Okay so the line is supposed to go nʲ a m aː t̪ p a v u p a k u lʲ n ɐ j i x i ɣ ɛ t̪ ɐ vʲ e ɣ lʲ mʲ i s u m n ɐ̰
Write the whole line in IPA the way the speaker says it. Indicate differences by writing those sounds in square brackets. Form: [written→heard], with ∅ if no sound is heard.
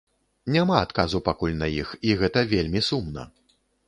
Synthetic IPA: nʲ a m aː t̪ [p→k] a [v→z] u p a k u lʲ n ɐ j i x i ɣ ɛ t̪ ɐ vʲ e [ɣ→∅] lʲ mʲ i s u m n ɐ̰